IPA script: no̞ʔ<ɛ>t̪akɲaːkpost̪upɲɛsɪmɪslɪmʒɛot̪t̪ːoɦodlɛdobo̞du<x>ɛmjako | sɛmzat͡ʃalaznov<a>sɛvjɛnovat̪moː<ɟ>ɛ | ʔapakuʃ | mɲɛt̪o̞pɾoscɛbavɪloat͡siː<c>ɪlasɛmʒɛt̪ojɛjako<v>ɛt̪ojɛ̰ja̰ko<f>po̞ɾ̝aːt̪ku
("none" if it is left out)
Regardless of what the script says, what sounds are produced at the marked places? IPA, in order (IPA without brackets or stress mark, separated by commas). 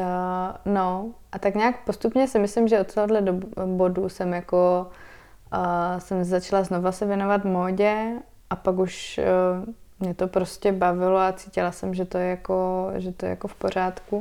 a, s, a, ɟ, c, ʒ, f